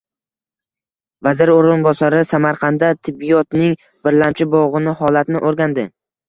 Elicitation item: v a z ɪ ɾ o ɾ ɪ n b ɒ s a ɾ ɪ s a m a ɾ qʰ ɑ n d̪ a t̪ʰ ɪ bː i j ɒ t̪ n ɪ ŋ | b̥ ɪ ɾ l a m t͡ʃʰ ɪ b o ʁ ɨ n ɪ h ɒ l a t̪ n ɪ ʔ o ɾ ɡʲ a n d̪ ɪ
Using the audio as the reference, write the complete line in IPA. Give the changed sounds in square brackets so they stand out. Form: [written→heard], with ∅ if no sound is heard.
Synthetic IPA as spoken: v a z ɪ ɾ o ɾ ɪ n b ɒ s a ɾ ɪ s a m a ɾ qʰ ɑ n d̪ a t̪ʰ ɪ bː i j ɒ t̪ n ɪ ŋ | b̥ ɪ ɾ l a m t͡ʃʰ ɪ b [o→ɒ] ʁ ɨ n ɪ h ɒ l a t̪ n ɪ ʔ o ɾ ɡʲ a n d̪ ɪ